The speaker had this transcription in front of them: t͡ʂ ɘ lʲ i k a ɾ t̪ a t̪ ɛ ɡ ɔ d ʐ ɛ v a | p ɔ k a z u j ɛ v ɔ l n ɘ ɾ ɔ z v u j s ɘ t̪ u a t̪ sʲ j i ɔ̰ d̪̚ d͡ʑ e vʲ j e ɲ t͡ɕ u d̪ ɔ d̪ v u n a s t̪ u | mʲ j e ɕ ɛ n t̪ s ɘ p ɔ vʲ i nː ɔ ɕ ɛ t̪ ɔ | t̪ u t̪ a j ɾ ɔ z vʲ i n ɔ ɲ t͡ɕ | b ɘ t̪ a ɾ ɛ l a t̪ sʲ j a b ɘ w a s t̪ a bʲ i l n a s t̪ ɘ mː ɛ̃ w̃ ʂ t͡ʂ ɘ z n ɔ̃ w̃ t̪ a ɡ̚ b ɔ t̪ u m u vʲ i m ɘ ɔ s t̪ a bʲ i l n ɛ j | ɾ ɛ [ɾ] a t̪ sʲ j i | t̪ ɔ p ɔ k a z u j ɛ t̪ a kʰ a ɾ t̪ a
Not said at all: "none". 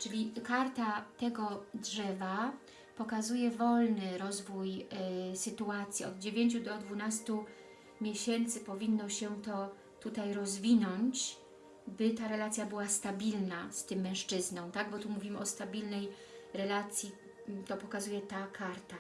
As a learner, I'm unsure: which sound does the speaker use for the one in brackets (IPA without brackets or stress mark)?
l